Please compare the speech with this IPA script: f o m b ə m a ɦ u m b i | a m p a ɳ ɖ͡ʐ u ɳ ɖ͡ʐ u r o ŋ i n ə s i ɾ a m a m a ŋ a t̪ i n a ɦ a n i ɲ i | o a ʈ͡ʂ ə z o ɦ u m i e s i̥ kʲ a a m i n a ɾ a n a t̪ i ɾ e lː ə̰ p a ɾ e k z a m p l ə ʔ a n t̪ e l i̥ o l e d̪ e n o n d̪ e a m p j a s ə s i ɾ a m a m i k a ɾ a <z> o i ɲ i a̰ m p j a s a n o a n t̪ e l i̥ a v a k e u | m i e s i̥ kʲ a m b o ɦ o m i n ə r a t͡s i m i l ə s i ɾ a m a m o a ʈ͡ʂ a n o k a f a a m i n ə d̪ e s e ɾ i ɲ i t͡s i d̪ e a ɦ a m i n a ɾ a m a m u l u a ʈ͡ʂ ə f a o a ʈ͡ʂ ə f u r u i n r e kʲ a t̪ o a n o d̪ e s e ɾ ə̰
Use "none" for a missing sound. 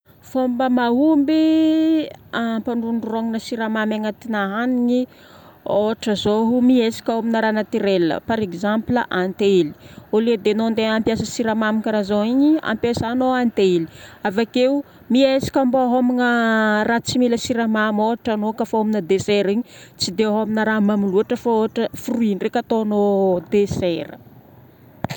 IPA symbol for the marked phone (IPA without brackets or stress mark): z